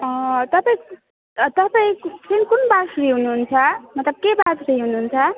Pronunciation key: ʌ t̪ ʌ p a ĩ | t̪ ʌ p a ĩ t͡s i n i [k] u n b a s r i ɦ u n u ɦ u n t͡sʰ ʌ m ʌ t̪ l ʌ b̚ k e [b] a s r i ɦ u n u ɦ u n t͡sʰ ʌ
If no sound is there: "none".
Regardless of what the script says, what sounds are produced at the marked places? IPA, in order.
k, b

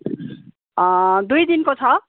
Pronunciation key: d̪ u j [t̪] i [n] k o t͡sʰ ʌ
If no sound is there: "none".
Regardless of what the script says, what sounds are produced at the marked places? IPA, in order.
d̪, n

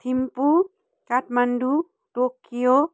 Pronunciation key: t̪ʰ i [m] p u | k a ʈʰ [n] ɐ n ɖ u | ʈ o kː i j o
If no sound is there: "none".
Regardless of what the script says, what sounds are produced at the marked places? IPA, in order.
m, m

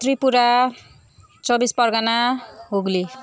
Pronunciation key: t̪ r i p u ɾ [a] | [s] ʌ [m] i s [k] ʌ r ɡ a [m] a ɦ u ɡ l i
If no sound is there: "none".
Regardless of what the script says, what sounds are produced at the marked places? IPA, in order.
a, t͡s, b, p, n

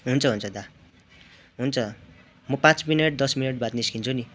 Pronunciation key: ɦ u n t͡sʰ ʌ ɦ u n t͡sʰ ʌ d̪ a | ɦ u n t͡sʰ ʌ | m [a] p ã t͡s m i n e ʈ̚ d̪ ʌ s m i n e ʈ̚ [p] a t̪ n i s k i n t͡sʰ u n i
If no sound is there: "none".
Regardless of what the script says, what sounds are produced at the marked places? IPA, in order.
ʌ, b

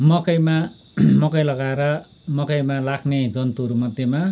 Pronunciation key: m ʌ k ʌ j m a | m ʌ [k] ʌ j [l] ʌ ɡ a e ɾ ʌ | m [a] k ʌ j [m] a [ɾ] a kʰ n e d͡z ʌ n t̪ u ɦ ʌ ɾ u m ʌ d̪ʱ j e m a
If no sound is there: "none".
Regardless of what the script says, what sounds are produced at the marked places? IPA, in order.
k, l, ʌ, m, l

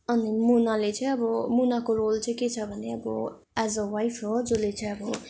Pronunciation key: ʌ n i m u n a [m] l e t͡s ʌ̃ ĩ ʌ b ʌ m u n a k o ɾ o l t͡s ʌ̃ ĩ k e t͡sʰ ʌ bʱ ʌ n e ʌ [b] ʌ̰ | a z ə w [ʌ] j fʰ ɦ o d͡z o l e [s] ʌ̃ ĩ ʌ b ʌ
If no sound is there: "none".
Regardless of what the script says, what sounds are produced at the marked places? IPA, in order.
none, b, a, t͡s

